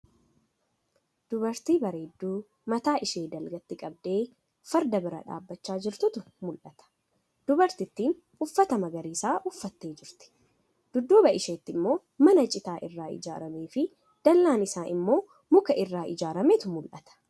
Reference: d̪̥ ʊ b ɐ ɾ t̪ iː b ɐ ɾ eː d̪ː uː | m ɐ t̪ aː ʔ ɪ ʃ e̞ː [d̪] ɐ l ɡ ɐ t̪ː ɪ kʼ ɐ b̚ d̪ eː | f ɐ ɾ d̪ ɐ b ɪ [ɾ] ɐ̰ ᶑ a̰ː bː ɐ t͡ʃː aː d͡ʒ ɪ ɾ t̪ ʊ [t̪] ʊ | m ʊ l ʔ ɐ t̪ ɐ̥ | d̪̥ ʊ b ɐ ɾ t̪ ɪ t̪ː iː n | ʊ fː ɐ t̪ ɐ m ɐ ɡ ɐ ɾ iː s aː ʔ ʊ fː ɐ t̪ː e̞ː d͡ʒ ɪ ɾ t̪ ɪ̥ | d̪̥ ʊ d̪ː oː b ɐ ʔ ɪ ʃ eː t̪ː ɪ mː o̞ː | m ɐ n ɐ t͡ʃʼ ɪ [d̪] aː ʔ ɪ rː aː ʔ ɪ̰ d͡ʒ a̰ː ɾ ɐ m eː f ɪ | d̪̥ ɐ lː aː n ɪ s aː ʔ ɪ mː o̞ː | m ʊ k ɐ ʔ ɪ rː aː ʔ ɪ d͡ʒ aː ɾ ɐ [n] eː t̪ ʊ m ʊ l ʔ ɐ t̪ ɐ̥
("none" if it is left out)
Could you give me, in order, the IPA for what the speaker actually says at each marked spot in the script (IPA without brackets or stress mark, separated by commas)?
d̪, ɾ, t̪, t̪, m